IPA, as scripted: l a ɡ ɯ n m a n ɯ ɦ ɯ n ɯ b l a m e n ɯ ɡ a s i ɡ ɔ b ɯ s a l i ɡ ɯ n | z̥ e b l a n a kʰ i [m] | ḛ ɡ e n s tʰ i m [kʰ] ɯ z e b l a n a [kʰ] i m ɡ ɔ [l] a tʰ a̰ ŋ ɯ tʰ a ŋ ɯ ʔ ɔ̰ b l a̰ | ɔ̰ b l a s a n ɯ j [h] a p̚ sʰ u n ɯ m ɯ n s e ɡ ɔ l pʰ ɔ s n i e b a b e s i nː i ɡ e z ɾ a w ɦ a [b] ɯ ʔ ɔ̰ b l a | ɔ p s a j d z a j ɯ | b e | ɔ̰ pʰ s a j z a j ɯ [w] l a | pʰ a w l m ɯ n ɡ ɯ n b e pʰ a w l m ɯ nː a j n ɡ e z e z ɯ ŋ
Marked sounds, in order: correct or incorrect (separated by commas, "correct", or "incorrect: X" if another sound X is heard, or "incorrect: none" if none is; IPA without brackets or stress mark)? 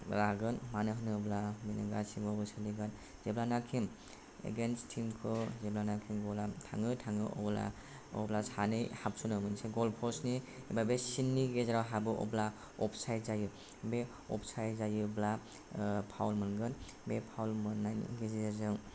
correct, correct, correct, correct, correct, correct, incorrect: b